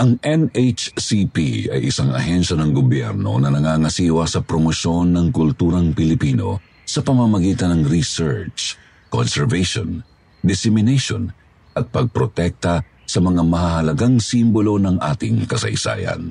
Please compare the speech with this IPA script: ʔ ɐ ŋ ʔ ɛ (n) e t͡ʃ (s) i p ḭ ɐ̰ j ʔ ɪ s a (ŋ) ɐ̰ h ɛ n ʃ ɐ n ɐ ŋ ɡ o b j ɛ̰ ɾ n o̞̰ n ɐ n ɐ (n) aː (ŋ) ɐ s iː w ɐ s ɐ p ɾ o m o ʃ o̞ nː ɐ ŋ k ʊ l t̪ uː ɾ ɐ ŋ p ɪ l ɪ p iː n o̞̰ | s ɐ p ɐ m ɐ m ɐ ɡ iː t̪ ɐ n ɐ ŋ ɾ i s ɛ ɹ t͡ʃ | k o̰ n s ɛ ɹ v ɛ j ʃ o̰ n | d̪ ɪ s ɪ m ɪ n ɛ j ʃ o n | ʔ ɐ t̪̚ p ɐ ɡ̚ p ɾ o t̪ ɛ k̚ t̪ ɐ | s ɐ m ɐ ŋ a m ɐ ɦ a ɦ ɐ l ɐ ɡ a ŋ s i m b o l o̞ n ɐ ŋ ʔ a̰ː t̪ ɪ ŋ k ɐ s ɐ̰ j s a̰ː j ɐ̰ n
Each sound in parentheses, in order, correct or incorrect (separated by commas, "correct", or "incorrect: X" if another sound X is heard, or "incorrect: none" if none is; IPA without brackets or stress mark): correct, correct, correct, incorrect: ŋ, correct